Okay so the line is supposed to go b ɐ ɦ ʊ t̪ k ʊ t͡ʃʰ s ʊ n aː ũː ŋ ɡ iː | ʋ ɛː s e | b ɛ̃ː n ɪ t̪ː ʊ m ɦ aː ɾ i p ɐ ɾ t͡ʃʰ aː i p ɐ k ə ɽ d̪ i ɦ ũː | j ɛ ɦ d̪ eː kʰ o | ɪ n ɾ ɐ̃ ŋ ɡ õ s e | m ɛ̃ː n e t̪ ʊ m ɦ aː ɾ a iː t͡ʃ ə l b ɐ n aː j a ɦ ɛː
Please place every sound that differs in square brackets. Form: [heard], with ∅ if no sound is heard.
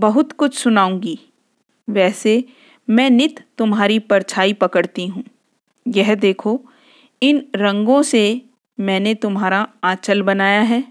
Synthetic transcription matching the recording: b ɐ ɦ ʊ t̪ k ʊ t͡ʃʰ s ʊ n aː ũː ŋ ɡ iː | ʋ ɛː s e | [m] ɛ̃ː n ɪ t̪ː ʊ m ɦ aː ɾ i p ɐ ɾ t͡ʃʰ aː i p ɐ k ə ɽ [t̪] i ɦ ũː | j ɛ ɦ d̪ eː kʰ o | ɪ n ɾ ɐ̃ ŋ ɡ õ s e | m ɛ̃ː n e t̪ ʊ m ɦ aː ɾ a [aː] t͡ʃ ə l b ɐ n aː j a ɦ ɛː